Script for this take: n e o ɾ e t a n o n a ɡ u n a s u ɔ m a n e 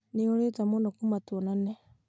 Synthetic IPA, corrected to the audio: n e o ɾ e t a m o n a k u m a t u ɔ n a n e